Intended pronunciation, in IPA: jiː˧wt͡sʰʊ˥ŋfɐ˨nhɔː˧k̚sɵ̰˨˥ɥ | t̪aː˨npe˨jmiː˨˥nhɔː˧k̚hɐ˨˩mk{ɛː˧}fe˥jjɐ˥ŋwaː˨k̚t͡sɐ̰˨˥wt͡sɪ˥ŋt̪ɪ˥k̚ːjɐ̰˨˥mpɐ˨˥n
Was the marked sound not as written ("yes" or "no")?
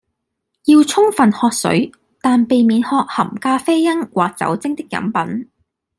yes